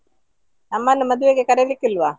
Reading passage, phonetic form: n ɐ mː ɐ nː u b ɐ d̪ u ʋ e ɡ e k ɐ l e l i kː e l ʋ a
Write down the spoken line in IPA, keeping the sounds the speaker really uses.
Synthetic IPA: n ɐ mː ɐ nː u m ɐ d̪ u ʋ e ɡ e k ɐ ɾ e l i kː i l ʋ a